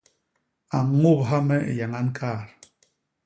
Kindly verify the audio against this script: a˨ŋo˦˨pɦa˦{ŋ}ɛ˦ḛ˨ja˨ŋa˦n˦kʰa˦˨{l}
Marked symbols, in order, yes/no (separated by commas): no, no